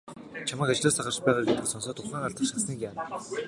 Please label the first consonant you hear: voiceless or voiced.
voiceless